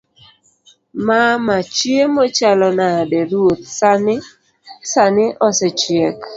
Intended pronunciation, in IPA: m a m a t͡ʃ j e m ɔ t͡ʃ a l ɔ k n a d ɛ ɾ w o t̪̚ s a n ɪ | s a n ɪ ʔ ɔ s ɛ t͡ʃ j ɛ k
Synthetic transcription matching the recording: m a m a t͡ʃ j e m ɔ t͡ʃ a l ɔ n a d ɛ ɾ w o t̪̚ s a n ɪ | s a n ɪ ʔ ɔ s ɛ t͡ʃ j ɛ k